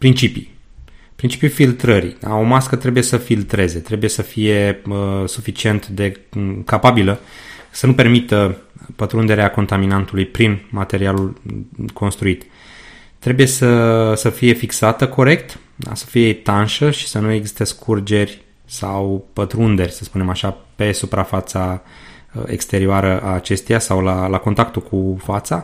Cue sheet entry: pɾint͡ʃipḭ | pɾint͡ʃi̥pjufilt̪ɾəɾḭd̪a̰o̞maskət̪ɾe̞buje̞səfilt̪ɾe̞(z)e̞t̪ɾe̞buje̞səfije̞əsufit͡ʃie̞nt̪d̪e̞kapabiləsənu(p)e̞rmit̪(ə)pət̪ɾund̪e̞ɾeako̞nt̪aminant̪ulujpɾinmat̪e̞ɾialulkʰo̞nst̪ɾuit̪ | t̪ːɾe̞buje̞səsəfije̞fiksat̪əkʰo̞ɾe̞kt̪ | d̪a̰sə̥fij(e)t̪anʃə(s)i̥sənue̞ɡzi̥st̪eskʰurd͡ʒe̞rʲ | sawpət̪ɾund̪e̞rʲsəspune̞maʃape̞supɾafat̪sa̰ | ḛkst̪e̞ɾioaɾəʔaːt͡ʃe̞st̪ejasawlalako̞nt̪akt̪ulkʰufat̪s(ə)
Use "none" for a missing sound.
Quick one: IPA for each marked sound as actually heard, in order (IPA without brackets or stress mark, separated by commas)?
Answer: z, p, ə, e, ʃ, a